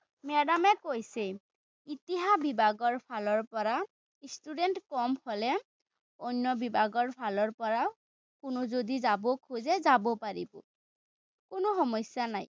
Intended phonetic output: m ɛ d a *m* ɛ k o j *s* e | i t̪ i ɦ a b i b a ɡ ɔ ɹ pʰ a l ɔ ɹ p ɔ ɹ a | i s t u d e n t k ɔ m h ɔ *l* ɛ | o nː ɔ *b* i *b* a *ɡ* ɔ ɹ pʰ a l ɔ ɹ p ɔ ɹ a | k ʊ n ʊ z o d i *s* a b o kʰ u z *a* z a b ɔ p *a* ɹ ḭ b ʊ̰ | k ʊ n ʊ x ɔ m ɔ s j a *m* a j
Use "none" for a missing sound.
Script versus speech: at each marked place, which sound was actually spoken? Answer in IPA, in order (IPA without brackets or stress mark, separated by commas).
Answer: m, s, l, b, b, ɡ, z, ɛ, a, n